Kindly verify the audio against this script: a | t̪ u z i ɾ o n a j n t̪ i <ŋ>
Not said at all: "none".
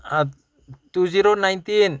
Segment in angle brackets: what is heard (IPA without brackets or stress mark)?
n